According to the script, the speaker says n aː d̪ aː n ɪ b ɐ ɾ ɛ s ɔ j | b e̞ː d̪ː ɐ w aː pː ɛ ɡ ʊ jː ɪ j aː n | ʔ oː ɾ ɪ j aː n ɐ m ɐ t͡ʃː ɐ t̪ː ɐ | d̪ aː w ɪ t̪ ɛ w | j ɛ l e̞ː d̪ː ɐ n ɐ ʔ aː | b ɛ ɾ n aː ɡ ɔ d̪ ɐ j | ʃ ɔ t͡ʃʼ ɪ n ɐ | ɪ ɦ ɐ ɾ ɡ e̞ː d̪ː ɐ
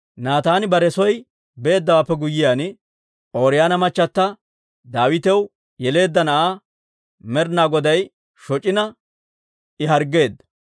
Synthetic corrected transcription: n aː t̪ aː n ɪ b ɐ ɾ ɛ s ɔ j | b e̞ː d̪ː ɐ w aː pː ɛ ɡ ʊ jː ɪ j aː n | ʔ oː ɾ ɪ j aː n ɐ m ɐ t͡ʃː ɐ t̪ː ɐ | d̪ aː w ɪ t̪ ɛ w | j ɛ l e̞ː d̪ː ɐ n ɐ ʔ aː | m ɛ ɾ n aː ɡ ɔ d̪ ɐ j | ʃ ɔ t͡ʃʼ ɪ n ɐ | ɪ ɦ ɐ ɾ ɡ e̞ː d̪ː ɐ